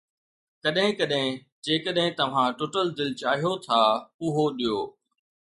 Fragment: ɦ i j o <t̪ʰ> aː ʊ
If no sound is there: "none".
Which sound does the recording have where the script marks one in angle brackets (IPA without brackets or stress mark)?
t̪ʰ